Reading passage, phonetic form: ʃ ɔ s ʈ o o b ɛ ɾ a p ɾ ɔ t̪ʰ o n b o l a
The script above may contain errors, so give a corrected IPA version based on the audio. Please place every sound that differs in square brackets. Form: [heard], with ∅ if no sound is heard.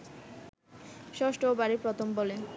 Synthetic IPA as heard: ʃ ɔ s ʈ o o b [a] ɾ [i] p ɾ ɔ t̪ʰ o [m] b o l [e]